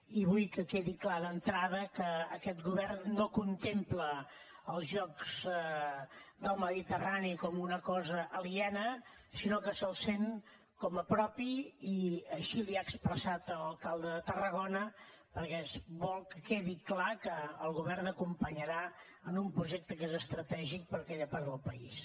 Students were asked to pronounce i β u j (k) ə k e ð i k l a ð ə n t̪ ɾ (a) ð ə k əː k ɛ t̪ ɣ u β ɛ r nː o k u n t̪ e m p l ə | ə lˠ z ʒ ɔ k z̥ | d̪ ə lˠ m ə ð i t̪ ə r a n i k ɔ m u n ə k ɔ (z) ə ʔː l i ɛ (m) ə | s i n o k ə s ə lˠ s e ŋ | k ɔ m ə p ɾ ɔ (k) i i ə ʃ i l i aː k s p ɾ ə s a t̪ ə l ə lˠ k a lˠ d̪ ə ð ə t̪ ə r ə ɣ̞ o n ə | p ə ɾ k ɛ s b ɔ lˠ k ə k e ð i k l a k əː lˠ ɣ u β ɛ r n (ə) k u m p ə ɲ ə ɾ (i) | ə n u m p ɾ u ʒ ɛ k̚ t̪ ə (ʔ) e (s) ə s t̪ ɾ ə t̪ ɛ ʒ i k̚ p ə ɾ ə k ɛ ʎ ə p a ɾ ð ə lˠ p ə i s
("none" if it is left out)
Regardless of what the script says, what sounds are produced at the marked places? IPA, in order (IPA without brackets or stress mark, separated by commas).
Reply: k, a, z, n, p, ə, a, k, z